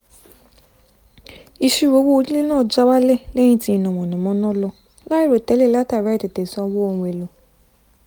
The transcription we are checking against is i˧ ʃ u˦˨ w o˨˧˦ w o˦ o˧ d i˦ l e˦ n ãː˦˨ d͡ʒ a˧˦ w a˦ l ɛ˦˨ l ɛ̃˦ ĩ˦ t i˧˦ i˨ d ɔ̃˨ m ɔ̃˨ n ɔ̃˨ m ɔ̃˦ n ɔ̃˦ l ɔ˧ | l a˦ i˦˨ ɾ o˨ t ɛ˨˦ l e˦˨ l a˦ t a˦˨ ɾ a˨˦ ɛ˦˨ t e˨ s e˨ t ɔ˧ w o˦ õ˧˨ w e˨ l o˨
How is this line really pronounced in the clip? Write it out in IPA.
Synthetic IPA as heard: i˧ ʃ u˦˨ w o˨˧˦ w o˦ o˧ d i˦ l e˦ n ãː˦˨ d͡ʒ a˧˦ w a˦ l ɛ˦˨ l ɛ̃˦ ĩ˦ t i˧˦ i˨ n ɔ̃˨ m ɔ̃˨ n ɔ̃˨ m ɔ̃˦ n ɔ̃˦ l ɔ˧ | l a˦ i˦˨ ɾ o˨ t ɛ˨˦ l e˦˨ l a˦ t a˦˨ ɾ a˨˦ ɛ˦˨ t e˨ t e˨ s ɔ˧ w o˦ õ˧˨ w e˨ l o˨